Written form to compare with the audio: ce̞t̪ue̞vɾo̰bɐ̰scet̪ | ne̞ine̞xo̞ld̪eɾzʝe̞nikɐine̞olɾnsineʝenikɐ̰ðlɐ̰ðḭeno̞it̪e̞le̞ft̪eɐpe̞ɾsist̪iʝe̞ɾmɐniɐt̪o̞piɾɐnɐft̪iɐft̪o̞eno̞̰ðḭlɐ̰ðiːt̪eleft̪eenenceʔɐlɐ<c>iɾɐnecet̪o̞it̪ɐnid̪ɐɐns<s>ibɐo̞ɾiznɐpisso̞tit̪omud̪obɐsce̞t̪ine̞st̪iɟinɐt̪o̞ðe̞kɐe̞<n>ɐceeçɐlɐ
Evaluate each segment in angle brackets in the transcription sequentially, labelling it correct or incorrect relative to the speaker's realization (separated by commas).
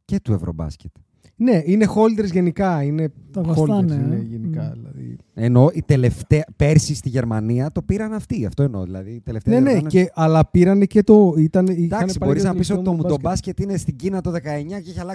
incorrect, correct, incorrect